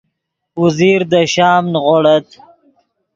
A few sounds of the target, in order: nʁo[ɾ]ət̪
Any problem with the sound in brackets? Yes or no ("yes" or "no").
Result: yes